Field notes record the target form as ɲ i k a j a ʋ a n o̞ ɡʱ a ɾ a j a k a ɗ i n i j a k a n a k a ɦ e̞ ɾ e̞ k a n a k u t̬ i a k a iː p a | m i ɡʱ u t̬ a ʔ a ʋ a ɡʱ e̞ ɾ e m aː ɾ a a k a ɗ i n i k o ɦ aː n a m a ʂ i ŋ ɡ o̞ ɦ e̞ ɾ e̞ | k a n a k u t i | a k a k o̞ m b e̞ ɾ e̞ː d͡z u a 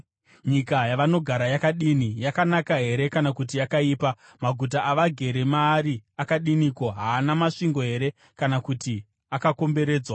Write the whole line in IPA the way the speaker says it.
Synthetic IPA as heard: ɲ i k a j a ʋ a n o̞ ɡʱ a ɾ a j a k a ɗ i n i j a k a n a k a ɦ e̞ ɾ e̞ k a n a k u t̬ i a k a iː p a | m a ɡʱ u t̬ a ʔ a ʋ a ɡʱ e̞ ɾ e m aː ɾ i a k a ɗ i n i k o ɦ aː n a m a ʂ i ŋ ɡ o̞ ɦ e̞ ɾ e̞ | k a n a k u t i | a k a k o̞ m b e̞ ɾ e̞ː d͡z w a